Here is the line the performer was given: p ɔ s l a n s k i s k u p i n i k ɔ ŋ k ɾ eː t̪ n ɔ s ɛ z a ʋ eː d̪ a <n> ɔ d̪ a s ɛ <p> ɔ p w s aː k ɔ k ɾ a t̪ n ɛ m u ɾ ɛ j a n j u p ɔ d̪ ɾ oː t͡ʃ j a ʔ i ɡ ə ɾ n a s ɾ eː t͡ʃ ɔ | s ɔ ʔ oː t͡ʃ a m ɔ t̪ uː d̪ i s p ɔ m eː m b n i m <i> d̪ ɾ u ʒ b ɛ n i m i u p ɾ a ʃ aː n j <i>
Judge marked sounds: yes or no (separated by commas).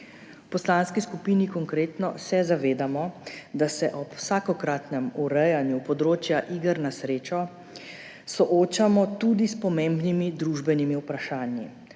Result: no, no, yes, yes